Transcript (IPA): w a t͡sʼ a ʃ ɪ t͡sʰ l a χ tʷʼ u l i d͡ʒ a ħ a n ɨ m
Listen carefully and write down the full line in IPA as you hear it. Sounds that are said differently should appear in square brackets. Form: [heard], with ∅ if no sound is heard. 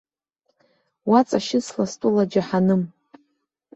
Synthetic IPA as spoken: w a t͡sʼ a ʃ ɪ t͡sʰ l a [s] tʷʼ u l [a] d͡ʒ a ħ a n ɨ m